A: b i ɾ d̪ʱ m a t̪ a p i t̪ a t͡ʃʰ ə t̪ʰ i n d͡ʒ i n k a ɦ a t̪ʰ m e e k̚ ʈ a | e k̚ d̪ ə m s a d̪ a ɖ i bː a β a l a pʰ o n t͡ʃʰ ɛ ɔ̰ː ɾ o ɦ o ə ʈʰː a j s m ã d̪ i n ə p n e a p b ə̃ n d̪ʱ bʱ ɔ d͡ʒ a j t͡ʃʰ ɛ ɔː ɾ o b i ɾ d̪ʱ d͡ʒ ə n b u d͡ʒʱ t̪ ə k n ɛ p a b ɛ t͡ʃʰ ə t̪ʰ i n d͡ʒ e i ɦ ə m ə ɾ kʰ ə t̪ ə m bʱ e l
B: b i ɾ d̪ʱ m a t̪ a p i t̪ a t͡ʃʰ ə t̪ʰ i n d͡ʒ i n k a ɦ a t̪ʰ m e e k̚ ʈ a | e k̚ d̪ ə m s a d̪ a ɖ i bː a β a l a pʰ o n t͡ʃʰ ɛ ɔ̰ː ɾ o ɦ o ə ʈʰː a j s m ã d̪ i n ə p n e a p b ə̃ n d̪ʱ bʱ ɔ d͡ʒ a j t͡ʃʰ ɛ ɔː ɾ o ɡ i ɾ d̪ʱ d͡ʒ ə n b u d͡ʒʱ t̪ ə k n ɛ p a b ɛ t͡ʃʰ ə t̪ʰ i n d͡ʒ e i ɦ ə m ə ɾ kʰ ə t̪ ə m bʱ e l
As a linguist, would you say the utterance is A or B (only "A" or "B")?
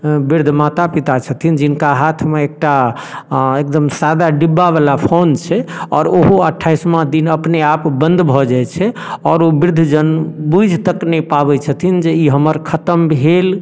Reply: A